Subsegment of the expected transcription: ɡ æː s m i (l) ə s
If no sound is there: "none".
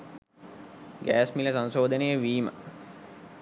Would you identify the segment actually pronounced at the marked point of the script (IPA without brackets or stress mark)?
l